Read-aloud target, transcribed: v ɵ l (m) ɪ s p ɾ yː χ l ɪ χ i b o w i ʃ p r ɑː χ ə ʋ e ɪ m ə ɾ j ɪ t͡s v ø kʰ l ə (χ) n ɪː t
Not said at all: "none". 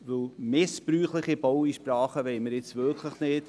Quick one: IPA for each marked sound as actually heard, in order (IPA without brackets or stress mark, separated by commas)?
m, χ